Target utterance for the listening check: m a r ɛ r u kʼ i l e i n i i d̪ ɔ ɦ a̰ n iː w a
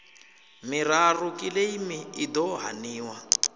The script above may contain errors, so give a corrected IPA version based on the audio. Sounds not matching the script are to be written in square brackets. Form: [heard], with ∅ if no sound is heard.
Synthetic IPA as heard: m [i] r [a] r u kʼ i l e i [m] i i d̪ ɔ ɦ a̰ n iː w a